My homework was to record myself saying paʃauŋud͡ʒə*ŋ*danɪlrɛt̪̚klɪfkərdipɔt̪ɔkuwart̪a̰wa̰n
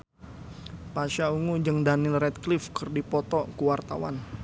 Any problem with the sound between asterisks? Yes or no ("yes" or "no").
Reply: no